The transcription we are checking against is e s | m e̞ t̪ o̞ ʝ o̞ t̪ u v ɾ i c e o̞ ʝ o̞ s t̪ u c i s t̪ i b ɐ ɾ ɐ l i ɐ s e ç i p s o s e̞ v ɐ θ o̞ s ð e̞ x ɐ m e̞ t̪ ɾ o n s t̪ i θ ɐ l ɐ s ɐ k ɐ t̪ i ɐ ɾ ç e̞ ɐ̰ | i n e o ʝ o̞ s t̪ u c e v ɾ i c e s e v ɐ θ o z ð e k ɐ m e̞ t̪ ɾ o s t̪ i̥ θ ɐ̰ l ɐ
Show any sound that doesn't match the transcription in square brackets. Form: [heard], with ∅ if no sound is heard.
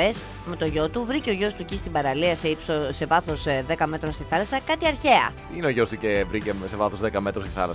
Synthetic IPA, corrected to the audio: e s | m e̞ t̪ o̞ ʝ o̞ t̪ u v ɾ i c e o̞ ʝ o̞ s t̪ u c i s t̪ i b ɐ ɾ ɐ l i ɐ s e [∅] i p s o s e̞ v ɐ θ o̞ s ð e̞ [k] ɐ m e̞ t̪ ɾ o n s t̪ i θ ɐ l ɐ s ɐ k ɐ t̪ i ɐ ɾ ç e̞ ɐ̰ | i n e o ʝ o̞ s t̪ u c e v ɾ i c e s e v ɐ θ o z ð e k ɐ m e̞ t̪ ɾ o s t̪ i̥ θ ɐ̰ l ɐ